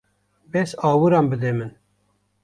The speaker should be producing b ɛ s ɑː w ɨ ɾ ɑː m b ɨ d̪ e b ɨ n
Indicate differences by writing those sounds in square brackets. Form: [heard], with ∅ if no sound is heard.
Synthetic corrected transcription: b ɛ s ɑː w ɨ ɾ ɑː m b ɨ d̪ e [m] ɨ n